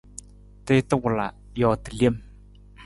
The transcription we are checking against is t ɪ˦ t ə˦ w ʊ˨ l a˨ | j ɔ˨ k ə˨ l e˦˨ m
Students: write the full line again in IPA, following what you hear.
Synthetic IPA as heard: t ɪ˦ t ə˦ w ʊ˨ l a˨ | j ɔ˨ t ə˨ l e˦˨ m